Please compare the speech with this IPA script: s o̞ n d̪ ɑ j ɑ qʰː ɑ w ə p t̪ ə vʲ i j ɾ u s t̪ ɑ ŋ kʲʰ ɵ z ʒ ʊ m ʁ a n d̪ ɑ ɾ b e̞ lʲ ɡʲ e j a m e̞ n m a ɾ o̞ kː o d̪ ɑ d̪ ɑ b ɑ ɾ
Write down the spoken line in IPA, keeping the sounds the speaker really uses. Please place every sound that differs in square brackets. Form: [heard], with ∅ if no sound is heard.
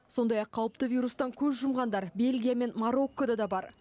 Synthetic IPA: s o̞ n d̪ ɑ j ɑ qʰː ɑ w ə p t̪ ə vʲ i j ɾ u s t̪ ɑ ŋ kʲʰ ɵ z ʒ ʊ m ʁ [ɑ] n d̪ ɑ ɾ b e̞ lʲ ɡʲ [i] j a m e̞ n m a ɾ o̞ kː o d̪ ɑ d̪ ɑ b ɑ ɾ